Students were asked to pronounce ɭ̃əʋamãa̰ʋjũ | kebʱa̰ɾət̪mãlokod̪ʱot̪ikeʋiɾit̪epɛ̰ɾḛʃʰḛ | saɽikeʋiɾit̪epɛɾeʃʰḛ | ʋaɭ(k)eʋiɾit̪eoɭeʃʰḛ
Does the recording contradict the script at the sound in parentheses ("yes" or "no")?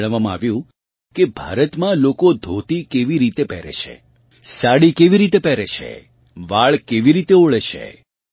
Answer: no